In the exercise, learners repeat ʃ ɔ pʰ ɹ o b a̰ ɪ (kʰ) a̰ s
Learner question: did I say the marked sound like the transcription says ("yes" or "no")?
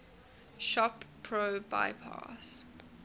no